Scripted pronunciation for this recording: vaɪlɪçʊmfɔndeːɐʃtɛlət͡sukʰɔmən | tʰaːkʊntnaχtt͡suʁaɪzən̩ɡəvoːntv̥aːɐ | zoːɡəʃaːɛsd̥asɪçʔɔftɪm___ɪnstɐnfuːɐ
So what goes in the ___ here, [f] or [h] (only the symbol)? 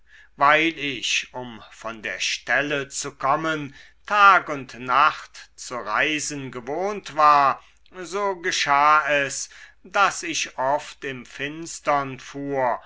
f